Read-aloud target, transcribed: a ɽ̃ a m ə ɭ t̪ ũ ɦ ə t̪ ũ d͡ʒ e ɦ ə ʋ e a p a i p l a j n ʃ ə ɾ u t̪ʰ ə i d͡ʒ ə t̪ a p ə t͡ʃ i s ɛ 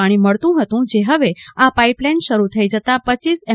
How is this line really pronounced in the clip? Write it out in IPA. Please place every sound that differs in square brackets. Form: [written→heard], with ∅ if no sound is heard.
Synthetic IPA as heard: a ɽ̃ [a→i] m ə ɭ t̪ ũ ɦ ə t̪ ũ d͡ʒ e ɦ ə ʋ e a p a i p l a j n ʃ ə ɾ u t̪ʰ ə i d͡ʒ ə t̪ a p ə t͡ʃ i s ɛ